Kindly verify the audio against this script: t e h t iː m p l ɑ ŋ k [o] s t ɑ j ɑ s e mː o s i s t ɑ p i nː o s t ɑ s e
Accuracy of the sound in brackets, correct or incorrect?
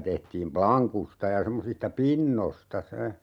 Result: incorrect